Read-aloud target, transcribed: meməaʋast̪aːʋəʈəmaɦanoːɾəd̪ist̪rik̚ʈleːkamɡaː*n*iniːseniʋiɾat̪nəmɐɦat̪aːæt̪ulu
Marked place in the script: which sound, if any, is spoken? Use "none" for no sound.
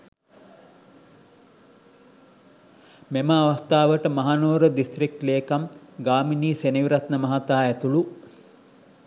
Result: m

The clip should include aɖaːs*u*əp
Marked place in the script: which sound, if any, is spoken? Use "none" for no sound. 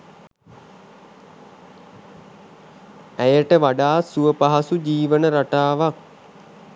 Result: u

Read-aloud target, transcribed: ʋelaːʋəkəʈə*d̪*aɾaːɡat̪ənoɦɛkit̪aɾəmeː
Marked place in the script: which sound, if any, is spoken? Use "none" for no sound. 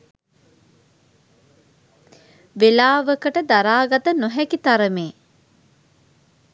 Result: d̪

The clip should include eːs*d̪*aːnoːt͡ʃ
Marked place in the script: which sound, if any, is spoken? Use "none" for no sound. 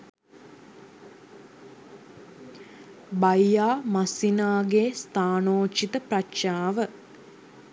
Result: t̪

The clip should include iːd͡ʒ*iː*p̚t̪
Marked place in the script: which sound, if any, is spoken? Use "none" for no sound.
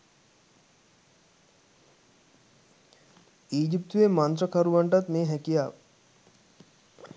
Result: i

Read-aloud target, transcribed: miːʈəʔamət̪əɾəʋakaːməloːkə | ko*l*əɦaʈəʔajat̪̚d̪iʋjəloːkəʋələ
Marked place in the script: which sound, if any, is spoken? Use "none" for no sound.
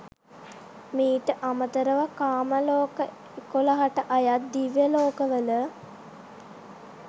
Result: l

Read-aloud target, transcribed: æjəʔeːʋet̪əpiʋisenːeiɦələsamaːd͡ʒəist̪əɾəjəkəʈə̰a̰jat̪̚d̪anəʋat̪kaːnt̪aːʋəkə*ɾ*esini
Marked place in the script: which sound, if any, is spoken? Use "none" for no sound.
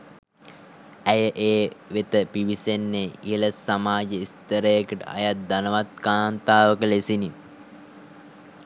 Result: l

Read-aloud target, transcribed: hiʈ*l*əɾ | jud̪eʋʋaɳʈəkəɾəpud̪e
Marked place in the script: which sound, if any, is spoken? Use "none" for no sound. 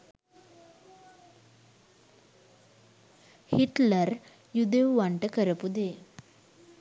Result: l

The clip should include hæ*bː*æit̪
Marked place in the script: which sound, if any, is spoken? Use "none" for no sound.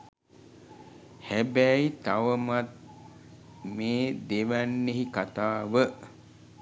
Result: b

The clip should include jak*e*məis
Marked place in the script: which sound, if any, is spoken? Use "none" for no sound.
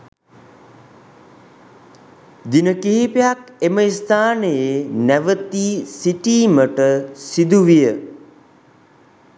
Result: e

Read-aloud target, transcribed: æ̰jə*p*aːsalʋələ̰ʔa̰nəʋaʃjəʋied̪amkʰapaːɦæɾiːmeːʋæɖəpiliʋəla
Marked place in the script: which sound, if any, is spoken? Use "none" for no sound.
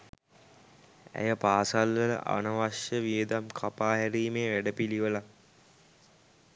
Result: p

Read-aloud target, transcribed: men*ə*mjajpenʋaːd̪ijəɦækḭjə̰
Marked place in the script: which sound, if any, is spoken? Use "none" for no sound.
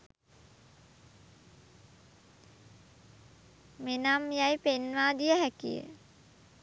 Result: a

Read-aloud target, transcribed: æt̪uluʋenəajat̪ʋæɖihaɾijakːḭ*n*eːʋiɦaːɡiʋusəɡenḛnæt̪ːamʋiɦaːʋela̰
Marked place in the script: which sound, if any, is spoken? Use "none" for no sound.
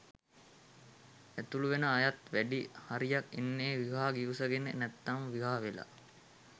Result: nː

